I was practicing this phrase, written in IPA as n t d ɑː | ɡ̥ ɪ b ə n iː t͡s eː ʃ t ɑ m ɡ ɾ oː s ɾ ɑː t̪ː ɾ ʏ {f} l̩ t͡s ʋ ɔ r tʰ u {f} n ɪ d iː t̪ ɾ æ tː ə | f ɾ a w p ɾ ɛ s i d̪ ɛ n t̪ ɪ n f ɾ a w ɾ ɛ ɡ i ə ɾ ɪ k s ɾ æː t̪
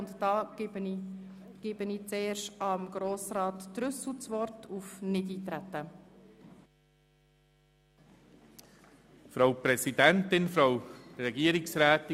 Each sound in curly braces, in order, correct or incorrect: incorrect: s, correct

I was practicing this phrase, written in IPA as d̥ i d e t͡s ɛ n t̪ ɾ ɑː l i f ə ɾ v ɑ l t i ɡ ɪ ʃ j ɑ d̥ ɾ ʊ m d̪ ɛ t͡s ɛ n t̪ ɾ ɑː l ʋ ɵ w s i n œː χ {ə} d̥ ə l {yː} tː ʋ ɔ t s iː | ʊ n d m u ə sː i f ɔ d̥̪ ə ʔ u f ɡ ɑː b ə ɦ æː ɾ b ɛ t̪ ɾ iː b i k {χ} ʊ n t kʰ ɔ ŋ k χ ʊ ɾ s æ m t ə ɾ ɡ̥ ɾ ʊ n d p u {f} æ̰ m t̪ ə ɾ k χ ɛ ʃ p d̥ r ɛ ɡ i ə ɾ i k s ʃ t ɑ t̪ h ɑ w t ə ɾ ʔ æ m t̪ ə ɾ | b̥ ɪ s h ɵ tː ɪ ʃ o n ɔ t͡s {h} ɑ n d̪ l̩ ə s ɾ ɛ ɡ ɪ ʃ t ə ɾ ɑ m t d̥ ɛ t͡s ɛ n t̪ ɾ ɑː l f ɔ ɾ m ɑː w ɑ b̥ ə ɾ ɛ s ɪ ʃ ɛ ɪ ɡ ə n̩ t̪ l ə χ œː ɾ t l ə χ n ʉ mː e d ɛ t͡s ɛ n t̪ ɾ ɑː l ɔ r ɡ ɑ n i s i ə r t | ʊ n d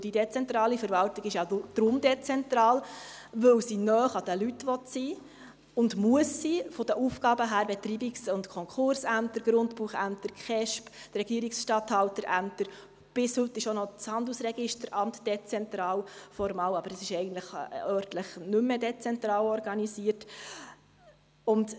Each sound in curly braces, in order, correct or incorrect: incorrect: ɑ, incorrect: y, incorrect: s, incorrect: χ, correct

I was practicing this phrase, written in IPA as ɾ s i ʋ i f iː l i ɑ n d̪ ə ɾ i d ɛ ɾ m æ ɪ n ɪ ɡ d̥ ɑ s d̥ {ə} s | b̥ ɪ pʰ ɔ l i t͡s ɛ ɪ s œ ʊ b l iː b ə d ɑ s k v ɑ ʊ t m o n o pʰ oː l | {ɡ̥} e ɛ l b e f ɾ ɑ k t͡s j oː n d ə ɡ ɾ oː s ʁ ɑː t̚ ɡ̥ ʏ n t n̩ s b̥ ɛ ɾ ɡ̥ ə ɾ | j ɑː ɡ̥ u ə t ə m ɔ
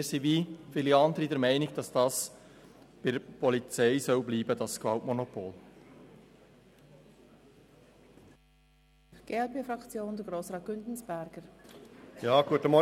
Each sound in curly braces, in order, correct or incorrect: incorrect: ɑ, correct

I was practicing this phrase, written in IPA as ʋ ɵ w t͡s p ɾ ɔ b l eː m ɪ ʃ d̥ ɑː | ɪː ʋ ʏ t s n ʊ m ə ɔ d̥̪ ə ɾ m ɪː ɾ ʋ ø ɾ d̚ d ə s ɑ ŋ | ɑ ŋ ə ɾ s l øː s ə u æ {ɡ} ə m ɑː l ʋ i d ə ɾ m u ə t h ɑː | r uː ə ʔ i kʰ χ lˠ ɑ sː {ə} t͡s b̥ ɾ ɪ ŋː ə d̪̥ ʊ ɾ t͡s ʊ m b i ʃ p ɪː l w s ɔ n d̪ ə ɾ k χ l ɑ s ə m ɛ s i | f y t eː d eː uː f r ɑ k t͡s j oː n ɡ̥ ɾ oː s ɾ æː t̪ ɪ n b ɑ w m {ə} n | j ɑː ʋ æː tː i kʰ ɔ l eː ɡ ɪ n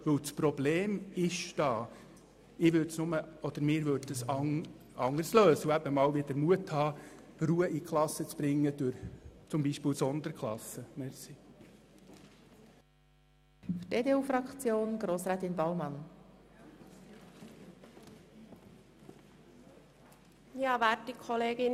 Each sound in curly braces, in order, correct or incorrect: incorrect: b, correct, incorrect: ɑ

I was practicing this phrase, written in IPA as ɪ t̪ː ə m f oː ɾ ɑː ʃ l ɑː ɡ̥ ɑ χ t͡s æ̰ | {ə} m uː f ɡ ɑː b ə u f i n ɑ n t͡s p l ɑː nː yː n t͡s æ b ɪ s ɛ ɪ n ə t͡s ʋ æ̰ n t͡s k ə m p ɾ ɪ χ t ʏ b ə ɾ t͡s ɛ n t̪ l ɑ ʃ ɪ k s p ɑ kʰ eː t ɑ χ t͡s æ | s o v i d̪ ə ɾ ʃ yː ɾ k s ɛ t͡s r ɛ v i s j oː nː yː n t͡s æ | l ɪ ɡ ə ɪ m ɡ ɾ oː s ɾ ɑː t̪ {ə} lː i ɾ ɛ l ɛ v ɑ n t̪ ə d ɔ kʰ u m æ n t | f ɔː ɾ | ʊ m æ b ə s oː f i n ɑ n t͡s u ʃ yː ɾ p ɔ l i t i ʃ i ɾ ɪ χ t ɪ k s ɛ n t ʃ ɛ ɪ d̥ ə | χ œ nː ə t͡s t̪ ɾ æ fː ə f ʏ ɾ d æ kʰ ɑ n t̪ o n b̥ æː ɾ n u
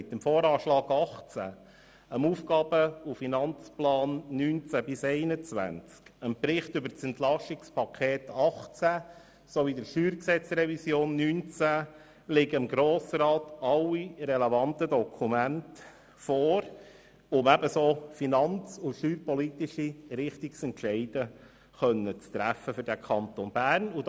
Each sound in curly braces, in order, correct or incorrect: correct, incorrect: ɑ

